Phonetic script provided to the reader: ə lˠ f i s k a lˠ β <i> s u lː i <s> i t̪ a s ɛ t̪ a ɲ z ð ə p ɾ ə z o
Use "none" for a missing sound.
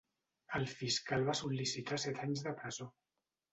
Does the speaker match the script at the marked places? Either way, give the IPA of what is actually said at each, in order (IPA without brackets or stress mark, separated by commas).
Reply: a, s